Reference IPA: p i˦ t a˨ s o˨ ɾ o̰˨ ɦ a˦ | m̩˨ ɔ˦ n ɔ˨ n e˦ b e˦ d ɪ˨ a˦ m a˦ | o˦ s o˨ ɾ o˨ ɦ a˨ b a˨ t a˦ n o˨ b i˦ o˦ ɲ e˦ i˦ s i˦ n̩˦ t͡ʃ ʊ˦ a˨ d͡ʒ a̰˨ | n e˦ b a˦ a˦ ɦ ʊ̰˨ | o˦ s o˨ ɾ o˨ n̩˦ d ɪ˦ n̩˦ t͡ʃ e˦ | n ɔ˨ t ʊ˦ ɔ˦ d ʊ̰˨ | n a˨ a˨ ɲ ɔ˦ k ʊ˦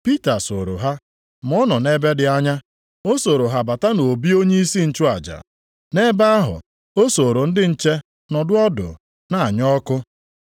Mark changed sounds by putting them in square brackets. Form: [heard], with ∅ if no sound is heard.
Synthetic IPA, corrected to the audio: p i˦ t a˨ s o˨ ɾ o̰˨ ɦ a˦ | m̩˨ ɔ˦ n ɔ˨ n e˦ b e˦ d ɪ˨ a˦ [ɲ] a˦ | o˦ s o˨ ɾ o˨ ɦ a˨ b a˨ t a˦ n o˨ b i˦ o˦ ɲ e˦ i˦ s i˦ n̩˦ t͡ʃ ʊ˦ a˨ d͡ʒ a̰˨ | n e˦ b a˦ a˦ ɦ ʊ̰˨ | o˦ s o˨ ɾ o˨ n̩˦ d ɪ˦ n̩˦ t͡ʃ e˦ | n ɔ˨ [d] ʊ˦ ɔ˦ d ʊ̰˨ | n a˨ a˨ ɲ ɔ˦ k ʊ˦